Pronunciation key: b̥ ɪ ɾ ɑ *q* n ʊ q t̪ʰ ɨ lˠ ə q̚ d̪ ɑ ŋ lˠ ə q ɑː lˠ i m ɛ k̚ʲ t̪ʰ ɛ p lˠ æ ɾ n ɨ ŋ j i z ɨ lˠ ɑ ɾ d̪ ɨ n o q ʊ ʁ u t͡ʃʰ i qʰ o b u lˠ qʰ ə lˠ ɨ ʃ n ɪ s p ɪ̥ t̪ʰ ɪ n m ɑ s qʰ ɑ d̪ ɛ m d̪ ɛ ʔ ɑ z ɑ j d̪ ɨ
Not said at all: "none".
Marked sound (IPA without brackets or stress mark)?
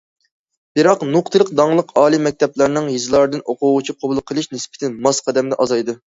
q